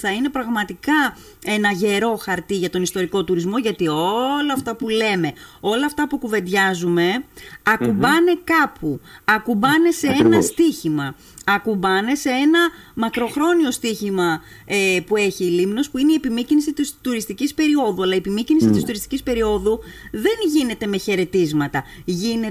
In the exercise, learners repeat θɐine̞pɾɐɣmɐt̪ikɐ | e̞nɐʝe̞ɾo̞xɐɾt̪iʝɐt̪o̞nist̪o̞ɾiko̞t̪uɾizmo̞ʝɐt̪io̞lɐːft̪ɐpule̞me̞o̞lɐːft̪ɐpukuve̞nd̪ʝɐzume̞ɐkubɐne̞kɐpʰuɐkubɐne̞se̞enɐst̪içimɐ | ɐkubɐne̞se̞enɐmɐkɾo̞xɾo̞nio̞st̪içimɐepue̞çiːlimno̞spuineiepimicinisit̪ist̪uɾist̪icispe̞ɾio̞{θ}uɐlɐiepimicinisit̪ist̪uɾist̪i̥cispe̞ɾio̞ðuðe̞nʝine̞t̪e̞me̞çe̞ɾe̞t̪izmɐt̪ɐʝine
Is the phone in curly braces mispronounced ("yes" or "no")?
yes